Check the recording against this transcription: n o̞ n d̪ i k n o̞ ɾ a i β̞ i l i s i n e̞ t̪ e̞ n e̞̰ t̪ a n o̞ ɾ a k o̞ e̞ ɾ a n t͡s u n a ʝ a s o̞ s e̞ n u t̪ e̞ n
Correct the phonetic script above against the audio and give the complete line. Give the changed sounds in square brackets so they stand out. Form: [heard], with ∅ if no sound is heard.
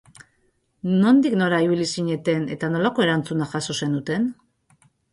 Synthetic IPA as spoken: n o̞ n d̪ i k n o̞ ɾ a i β̞ i l i s i [ɲ] e̞ t̪ e̞ n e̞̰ t̪ a n o̞ [l] a k o̞ e̞ ɾ a n t͡s u n a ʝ a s o̞ s e̞ n u t̪ e̞ n